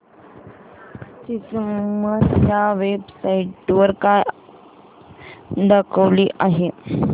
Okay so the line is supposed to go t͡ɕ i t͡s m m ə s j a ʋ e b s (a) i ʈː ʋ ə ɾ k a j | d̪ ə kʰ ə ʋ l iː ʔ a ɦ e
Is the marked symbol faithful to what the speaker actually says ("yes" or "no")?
yes